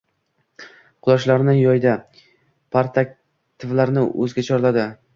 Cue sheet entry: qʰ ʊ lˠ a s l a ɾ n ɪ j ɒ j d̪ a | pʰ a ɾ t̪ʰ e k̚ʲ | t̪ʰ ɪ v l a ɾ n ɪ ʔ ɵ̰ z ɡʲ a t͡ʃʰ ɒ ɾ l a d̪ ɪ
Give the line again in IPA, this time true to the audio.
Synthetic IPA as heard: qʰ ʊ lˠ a ʃ l a ɾ n ɪ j ɒ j d̪ a | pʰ a ɾ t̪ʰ a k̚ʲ | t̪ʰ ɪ v l a ɾ n ɪ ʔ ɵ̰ z ɡʲ a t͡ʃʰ ɒ ɾ l a d̪ ɪ